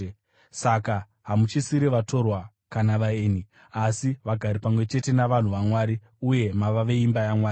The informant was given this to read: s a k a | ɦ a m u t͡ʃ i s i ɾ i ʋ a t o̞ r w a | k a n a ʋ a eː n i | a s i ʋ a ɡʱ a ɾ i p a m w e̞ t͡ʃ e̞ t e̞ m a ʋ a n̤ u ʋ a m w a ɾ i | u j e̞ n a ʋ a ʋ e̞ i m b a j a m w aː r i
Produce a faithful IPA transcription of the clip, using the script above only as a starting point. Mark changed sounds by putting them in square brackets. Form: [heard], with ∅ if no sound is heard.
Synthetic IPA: s a k a | ɦ a m u t͡ʃ i s i ɾ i ʋ a t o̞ r w a | k a n a ʋ a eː n i | a s i ʋ a ɡʱ a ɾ i p a m w e̞ t͡ʃ e̞ t e̞ [n] a ʋ a n̤ u ʋ a m w a ɾ i | u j e̞ [m] a ʋ a ʋ e̞ i m b a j a m w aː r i